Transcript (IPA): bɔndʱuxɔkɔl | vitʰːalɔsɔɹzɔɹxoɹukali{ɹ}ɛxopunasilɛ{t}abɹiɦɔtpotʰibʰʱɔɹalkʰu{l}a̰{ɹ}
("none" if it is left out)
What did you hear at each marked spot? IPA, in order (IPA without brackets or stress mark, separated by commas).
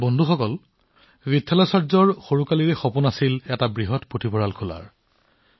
ɹ, t, l, ɹ